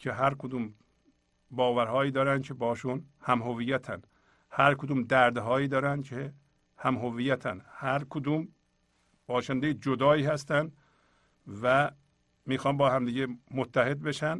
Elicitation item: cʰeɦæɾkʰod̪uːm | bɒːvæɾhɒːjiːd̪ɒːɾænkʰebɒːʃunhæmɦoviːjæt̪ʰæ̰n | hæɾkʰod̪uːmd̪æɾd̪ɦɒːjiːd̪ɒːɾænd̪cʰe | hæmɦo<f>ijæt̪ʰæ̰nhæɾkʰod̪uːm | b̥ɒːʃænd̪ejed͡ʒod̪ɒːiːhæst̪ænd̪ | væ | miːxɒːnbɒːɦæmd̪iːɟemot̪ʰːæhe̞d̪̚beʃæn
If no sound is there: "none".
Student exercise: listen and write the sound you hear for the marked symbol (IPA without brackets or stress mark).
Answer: v